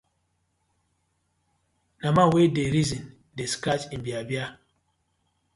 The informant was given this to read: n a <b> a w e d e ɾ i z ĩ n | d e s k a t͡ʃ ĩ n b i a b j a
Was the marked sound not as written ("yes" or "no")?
yes